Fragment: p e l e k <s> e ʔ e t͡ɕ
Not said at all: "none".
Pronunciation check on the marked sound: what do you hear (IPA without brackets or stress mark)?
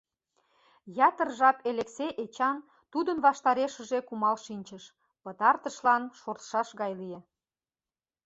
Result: s